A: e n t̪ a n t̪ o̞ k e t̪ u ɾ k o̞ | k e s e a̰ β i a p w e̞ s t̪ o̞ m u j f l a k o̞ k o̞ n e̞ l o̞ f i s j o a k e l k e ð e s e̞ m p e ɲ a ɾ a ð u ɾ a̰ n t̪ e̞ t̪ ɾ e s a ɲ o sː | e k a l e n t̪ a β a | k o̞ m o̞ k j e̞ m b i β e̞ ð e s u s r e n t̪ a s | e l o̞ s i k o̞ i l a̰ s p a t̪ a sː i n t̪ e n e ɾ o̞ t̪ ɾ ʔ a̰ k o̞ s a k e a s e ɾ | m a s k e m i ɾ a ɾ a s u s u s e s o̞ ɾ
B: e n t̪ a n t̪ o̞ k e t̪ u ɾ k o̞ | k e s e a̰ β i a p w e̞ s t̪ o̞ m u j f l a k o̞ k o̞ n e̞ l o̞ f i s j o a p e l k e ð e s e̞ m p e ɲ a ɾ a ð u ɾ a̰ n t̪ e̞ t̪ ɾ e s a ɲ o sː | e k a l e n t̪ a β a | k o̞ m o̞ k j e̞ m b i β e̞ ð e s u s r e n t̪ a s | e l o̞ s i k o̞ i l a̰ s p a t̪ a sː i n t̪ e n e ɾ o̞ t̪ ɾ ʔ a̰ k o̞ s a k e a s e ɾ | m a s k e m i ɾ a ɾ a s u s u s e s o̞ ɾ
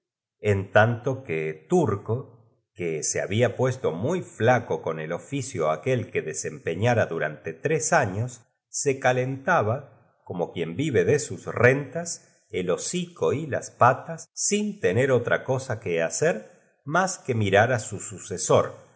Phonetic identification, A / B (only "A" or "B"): A